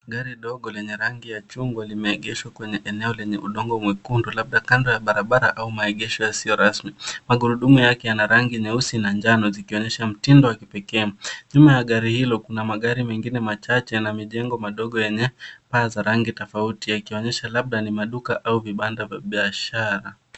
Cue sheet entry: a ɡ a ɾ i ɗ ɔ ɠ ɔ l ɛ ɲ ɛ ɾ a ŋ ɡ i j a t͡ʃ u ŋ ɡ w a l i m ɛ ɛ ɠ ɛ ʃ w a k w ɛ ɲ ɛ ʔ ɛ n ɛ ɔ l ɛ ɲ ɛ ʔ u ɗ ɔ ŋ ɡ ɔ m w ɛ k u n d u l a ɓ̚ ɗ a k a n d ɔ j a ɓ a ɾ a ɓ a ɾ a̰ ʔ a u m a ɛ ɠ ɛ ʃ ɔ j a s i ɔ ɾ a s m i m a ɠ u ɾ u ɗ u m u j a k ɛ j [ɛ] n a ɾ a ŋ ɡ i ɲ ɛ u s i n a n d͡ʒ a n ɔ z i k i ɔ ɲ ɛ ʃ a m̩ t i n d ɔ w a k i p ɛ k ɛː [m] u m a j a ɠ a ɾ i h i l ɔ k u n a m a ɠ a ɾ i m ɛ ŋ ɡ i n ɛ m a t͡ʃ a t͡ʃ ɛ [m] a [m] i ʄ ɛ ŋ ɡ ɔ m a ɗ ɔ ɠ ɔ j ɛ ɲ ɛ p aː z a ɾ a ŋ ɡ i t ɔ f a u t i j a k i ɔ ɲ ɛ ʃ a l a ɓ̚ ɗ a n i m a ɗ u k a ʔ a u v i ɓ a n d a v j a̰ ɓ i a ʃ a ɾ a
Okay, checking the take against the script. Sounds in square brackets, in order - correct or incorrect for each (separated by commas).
incorrect, incorrect, incorrect, correct